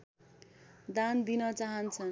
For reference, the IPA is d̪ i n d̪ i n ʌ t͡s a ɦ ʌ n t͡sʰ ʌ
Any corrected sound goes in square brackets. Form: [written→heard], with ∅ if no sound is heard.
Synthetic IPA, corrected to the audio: d̪ [i→a] n d̪ i n ʌ t͡s a ɦ ʌ n t͡sʰ ʌ